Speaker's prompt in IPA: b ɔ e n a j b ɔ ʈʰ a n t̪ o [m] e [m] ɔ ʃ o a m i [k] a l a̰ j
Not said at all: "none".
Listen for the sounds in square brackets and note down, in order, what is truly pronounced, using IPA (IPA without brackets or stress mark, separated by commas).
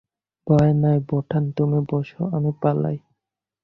m, b, p